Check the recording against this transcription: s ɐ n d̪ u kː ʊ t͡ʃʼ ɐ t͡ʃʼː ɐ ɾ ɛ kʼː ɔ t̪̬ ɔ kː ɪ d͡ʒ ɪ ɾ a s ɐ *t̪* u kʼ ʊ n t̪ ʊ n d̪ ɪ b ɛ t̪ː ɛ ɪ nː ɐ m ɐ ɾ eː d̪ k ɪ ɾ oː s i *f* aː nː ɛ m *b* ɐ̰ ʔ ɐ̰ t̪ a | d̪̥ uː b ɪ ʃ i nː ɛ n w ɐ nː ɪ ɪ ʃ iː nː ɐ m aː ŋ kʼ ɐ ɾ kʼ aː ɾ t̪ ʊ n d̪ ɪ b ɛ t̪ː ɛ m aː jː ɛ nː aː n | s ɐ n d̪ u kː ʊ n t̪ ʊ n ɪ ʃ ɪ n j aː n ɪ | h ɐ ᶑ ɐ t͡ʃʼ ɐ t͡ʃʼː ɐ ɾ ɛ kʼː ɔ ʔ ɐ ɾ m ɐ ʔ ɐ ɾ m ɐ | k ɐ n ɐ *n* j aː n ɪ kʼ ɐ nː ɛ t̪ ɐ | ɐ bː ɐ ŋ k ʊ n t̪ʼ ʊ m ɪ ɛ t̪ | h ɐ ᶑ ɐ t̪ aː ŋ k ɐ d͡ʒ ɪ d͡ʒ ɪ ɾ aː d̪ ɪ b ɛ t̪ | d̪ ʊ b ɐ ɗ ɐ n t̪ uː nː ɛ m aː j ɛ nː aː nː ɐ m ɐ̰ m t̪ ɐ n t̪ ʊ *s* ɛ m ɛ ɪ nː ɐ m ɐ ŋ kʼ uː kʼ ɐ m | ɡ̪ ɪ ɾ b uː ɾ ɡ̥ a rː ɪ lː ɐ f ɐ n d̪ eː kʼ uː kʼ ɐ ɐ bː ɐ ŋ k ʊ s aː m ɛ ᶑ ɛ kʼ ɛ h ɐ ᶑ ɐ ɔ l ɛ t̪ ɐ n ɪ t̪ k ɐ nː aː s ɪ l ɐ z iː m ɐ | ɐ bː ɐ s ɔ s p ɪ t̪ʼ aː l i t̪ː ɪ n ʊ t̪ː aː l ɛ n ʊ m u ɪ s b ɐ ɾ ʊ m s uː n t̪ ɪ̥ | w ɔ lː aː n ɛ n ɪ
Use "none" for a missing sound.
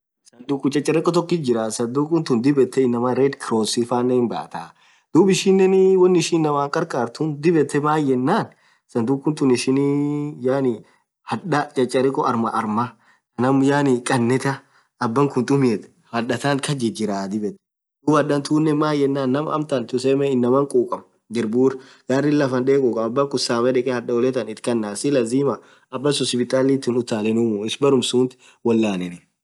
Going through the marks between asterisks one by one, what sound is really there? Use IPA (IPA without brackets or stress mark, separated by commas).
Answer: d̪, f, b, m, s